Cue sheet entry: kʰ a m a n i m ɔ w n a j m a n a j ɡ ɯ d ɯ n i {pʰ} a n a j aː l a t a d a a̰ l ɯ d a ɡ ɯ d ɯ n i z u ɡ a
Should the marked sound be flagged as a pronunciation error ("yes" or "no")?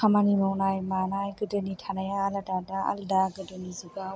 yes